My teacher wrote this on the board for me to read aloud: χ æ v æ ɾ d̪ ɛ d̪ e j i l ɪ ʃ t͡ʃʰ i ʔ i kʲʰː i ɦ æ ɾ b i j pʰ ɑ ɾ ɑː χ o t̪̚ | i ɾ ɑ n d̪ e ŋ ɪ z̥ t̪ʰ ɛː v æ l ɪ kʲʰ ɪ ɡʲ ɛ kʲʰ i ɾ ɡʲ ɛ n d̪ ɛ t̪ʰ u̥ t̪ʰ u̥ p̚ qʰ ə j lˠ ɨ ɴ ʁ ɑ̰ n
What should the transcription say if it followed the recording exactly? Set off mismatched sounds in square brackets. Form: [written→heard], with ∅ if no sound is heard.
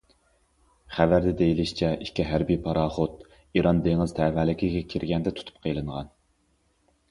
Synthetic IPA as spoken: χ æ v æ ɾ d̪ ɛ d̪ e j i l ɪ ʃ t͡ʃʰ [i→ɛ] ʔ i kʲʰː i ɦ æ ɾ b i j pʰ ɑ ɾ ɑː χ o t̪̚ | i ɾ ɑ n d̪ e ŋ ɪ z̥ t̪ʰ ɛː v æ l ɪ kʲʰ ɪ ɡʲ ɛ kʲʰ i ɾ ɡʲ ɛ n d̪ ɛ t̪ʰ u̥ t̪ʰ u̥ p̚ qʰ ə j lˠ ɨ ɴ ʁ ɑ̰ n